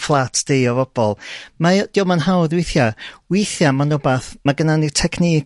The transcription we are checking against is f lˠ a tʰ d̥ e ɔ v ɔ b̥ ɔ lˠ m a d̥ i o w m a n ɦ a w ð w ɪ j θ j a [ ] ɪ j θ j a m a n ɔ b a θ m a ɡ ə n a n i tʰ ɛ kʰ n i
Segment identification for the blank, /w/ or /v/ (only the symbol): w